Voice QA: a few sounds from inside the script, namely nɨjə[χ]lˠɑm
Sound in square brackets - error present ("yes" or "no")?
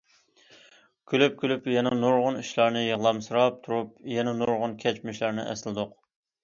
yes